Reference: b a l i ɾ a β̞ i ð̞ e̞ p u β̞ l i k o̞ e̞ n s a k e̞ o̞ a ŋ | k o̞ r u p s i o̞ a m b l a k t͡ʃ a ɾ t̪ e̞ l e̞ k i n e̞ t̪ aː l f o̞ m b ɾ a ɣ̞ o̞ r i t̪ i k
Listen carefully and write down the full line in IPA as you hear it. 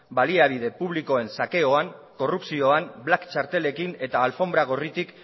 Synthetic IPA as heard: b a l i a β̞ i ð̞ e̞ p u β̞ l i k o̞ e̞ n s a k e̞ o̞ a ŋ | k o̞ r u p s i o̞ a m b l a k t͡ʃ a ɾ t̪ e̞ l e̞ k i n e̞ t̪ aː l f o̞ m b ɾ a ɣ̞ o̞ r i t̪ i k